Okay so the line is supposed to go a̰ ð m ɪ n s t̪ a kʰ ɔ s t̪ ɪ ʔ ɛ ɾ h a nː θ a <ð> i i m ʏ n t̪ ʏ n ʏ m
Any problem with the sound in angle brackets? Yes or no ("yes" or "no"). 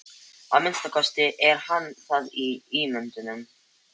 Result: no